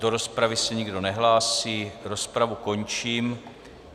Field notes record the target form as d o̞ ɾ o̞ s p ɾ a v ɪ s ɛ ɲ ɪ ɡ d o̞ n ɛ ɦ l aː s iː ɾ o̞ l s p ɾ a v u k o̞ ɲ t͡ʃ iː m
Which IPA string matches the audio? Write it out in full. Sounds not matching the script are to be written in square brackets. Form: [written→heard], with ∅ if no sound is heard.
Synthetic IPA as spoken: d o̞ ɾ o̞ s p ɾ a v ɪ s ɛ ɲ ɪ ɡ d o̞ n ɛ ɦ l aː s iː ɾ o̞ [l→∅] s p ɾ a v u k o̞ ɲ t͡ʃ iː m